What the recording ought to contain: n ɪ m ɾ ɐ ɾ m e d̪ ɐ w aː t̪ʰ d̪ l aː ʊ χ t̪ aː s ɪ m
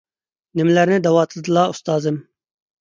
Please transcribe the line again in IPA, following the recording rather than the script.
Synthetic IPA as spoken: n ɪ m l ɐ ɾ n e d̪ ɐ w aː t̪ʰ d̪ l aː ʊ s t̪ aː z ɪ m